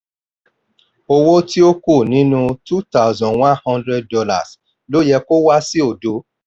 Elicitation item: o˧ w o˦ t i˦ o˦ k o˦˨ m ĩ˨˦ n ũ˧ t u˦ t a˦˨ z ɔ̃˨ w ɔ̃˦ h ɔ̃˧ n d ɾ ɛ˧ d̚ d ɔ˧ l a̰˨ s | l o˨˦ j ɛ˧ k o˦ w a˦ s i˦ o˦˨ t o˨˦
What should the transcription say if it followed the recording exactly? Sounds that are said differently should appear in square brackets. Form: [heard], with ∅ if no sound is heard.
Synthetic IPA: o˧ w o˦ t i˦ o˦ k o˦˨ [n] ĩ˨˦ n ũ˧ t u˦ t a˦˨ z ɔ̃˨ w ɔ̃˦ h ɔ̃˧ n d ɾ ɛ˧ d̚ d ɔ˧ l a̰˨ s | l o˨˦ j ɛ˧ k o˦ w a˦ s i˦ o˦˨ [d] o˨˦

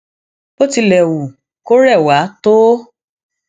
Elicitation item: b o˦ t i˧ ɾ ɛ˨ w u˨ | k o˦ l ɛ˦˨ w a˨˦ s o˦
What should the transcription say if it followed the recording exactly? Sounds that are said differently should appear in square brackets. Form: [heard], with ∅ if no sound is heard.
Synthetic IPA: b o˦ t i˧ [l] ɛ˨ w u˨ | k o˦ [ɾ] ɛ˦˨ w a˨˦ [t] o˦

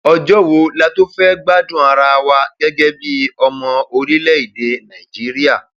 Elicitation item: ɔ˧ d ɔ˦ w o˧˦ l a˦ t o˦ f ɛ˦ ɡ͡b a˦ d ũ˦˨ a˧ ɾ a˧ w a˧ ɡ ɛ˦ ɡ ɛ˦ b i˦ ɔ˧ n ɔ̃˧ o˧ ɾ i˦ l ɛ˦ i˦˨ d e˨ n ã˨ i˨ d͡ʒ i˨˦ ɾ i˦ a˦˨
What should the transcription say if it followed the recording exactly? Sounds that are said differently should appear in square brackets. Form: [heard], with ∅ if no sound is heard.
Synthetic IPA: ɔ˧ [d͡ʒ] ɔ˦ w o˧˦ l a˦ t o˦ f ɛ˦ ɡ͡b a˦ d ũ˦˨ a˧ ɾ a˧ w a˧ ɡ ɛ˦ ɡ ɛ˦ b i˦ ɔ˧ [m] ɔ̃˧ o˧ ɾ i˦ l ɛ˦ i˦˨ d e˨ n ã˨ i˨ d͡ʒ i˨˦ ɾ i˦ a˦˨

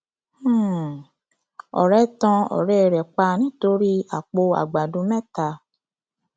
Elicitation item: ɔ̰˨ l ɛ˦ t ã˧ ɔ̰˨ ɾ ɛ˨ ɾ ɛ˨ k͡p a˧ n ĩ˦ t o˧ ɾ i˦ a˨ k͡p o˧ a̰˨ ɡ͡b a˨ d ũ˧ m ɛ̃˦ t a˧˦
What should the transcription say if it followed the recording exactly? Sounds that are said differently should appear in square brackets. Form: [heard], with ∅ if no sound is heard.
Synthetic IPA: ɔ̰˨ [ɾ] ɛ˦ t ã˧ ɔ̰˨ ɾ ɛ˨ ɾ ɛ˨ k͡p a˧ n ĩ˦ t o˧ ɾ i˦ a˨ k͡p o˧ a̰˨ ɡ͡b a˨ d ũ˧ m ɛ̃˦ t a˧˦

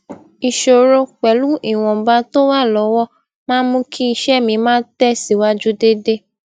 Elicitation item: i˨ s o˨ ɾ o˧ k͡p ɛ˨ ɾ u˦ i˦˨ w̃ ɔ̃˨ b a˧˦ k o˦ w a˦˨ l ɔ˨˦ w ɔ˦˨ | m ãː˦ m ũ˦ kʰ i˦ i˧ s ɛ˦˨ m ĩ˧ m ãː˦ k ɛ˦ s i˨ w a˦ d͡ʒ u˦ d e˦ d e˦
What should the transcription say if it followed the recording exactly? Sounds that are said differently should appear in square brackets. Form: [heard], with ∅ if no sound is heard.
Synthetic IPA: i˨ [ʃ] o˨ ɾ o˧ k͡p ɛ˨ [l] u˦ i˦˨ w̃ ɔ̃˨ b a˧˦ [t] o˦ w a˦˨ l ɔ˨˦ w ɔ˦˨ | m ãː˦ m ũ˦ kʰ i˦ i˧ [ʃ] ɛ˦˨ m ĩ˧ m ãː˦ [t] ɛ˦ s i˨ w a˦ d͡ʒ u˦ d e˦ d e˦

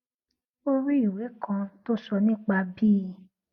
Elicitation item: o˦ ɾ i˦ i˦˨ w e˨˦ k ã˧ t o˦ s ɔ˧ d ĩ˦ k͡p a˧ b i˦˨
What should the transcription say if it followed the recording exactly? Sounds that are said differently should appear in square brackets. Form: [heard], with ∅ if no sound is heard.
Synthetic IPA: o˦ ɾ i˦ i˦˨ w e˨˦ k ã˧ t o˦ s ɔ˧ [n] ĩ˦ k͡p a˧ b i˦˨

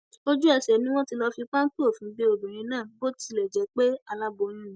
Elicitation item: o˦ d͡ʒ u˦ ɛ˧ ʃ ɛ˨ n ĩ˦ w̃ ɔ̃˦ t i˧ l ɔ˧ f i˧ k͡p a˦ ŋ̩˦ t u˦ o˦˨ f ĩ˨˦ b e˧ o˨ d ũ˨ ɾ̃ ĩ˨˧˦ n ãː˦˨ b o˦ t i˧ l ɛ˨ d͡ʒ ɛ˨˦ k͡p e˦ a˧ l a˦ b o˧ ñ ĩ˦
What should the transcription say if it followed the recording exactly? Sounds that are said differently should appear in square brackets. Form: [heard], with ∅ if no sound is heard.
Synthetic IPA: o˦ d͡ʒ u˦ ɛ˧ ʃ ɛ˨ n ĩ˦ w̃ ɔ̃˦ t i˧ l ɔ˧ f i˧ k͡p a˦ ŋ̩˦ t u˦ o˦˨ f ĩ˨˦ b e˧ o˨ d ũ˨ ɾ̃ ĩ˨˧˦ n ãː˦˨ b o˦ t i˧ l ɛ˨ d͡ʒ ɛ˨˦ k͡p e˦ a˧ l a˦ b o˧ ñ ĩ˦

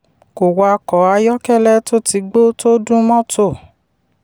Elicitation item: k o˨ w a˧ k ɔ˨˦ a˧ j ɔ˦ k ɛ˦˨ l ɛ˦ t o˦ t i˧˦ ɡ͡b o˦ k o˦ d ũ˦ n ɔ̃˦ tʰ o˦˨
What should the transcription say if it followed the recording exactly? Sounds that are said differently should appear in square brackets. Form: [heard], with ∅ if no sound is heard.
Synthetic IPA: k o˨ w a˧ k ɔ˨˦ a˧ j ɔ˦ k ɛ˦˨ l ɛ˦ t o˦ t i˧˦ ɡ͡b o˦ [t] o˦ d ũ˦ [m] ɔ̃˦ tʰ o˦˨

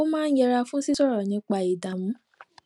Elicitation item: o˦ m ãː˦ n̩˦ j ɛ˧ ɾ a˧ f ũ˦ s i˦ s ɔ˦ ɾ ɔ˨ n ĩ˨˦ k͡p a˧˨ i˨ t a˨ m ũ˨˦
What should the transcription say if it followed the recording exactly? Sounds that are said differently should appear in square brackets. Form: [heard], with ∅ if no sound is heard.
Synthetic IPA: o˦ m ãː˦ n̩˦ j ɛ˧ ɾ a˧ f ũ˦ s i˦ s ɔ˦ ɾ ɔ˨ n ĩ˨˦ k͡p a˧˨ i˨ [d] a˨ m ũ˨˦

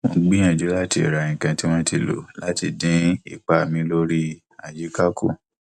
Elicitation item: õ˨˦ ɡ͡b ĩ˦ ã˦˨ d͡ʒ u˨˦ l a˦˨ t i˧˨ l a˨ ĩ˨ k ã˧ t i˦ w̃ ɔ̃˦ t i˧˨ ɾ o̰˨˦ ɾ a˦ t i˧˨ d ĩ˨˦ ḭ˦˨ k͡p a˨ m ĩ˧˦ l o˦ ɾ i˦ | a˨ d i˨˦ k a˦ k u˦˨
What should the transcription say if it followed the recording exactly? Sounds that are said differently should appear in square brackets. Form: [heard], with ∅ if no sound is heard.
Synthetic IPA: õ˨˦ ɡ͡b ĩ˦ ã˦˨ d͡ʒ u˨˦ l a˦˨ t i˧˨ [ɾ] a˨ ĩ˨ k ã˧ t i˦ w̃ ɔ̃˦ t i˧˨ [l] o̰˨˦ [l] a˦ t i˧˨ d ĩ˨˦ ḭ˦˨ k͡p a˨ m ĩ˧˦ l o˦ ɾ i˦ | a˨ [d͡ʒ] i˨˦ k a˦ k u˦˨

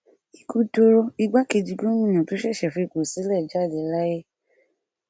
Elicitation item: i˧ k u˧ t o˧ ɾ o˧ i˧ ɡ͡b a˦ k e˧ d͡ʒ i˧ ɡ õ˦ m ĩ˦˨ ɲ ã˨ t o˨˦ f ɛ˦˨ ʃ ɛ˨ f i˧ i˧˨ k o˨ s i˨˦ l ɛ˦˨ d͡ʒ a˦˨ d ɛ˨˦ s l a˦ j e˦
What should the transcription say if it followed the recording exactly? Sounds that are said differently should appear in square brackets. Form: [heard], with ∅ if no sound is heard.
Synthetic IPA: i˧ k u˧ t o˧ ɾ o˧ i˧ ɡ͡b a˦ k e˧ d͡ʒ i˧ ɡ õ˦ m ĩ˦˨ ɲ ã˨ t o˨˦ [ʃ] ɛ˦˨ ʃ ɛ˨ f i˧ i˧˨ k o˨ s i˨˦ l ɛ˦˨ d͡ʒ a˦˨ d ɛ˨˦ [∅] l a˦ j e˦

